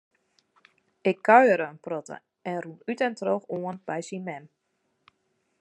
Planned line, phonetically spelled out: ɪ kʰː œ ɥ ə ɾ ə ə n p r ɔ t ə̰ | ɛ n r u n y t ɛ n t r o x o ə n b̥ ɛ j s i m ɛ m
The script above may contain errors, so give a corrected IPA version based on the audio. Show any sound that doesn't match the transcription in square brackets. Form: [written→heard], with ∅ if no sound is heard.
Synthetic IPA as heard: ɪ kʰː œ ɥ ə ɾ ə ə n p r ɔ t ə̰ | ɛ n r u n y t ɛ n t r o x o ə n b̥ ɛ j s i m ɛ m